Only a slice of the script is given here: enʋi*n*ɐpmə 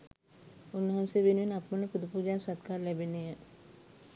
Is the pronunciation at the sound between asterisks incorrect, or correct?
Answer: correct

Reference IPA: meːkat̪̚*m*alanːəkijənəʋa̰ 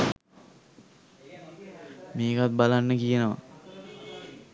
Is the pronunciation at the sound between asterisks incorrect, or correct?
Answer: incorrect: b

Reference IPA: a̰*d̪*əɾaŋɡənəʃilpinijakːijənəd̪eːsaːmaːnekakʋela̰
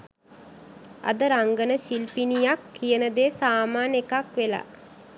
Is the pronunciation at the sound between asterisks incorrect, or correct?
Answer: correct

